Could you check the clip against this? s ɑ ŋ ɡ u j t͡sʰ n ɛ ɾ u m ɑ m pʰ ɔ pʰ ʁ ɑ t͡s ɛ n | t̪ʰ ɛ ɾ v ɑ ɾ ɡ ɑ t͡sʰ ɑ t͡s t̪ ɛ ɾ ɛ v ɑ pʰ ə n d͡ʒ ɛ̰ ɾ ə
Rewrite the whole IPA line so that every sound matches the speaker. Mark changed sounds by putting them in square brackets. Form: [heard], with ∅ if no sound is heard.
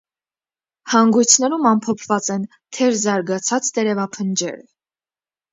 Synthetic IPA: [h] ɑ ŋ ɡ u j t͡sʰ n ɛ ɾ u m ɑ m pʰ ɔ pʰ [v] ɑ t͡s ɛ n | t̪ʰ ɛ ɾ [z] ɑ ɾ ɡ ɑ t͡sʰ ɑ t͡s t̪ ɛ ɾ ɛ v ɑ pʰ ə n d͡ʒ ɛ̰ ɾ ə

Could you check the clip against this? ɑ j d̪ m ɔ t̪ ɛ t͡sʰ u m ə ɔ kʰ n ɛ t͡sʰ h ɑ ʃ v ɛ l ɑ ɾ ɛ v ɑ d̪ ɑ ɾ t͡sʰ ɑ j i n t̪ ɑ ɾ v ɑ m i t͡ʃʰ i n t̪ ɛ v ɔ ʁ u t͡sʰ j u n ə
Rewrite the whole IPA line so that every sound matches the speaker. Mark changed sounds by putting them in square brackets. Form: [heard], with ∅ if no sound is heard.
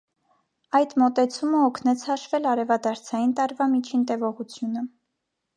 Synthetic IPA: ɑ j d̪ m ɔ t̪ ɛ t͡sʰ u m ə ɔ kʰ n ɛ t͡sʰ h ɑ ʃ v ɛ l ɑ ɾ ɛ v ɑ d̪ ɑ ɾ t͡sʰ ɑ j i n t̪ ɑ ɾ v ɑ m i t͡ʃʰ i n t̪ ɛ v ɔ ʁ u t͡sʰ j u n ə

